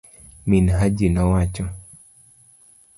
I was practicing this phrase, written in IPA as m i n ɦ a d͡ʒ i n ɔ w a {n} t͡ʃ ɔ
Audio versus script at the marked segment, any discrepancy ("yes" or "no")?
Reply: yes